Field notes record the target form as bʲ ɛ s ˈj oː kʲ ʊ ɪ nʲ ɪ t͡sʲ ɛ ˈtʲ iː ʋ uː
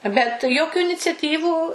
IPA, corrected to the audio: bʲ ɛ t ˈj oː kʲ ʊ ɪ nʲ ɪ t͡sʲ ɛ ˈtʲ iː ʋ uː